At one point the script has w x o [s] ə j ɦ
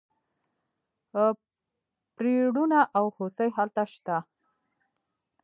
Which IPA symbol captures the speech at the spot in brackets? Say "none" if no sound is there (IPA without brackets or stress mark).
s